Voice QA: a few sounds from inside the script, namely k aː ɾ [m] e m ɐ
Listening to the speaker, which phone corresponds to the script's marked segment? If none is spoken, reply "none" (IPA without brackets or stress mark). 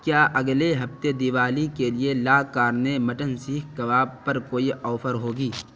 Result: n